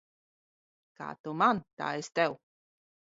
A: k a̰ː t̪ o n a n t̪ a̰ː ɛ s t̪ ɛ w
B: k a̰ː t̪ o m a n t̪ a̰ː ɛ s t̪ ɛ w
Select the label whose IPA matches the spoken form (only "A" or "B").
B